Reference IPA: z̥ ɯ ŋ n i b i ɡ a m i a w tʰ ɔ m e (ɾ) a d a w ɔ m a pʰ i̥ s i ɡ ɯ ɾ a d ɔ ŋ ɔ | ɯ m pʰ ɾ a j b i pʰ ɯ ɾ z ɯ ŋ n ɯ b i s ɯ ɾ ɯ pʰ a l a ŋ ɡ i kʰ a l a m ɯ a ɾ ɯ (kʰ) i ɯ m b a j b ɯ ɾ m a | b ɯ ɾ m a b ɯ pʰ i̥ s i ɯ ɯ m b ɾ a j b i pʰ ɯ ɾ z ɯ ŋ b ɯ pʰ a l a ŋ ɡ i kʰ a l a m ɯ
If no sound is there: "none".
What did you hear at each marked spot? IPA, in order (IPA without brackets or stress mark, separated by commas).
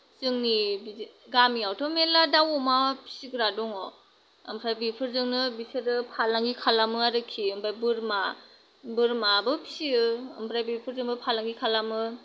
l, kʰ